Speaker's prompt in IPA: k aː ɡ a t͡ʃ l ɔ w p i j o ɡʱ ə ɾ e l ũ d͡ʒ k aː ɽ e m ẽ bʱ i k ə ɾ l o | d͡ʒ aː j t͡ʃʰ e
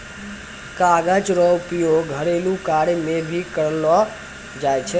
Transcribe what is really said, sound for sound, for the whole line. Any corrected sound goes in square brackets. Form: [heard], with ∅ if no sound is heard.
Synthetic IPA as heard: k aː ɡ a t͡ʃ [ɾ] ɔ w p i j o ɡʱ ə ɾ e l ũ [∅] k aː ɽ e m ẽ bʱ i k ə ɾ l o | d͡ʒ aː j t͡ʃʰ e